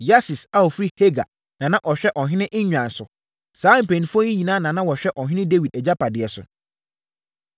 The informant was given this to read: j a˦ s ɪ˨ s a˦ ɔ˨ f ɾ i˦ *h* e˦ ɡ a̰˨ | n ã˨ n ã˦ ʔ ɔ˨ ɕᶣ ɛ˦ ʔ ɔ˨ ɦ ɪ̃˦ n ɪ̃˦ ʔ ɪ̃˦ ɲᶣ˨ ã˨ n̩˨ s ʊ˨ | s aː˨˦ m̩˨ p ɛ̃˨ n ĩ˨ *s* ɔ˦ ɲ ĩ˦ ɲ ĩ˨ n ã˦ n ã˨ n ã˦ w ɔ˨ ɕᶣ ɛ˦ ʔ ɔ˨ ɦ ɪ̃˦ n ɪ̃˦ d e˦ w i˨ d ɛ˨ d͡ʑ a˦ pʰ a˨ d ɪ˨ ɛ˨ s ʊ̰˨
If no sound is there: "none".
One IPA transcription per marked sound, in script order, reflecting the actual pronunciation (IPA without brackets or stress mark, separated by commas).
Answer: h, f